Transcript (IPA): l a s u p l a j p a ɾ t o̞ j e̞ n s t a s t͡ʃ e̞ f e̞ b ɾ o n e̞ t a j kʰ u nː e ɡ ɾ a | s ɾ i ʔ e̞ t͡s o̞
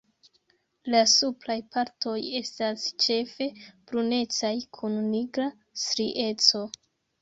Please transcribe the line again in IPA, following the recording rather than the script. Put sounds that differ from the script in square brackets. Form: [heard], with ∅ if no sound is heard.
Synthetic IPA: l a s u p l a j p a ɾ t o̞ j e̞ [∅] s t a s t͡ʃ e̞ f e̞ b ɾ [u] n e̞ [t͡s] a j kʰ u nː [i] ɡ ɾ a | s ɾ i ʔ e̞ t͡s o̞